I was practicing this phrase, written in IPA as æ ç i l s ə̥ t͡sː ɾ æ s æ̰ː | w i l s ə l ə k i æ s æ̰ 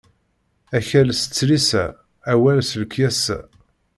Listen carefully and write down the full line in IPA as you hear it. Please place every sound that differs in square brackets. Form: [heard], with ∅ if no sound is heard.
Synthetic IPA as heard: æ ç [æ] l s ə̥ t͡sː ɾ [i] s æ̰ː | w [æ] l s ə l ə k [j] æ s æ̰